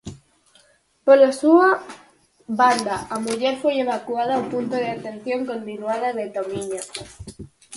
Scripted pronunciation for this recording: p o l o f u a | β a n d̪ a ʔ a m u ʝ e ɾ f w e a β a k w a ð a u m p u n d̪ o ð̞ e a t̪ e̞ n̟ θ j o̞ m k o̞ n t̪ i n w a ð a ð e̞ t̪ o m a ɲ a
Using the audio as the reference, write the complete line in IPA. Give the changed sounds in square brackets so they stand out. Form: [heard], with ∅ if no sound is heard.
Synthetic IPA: p o l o [s] u a | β a n d̪ a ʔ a m u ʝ e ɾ f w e [e] β a k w a ð a u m p u n [t̪] o ð̞ e a t̪ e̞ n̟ θ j o̞ [ŋ] k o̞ n t̪ i n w a ð a ð e̞ t̪ o m [i] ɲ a